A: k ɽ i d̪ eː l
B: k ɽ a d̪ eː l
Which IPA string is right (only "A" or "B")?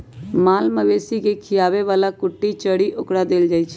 B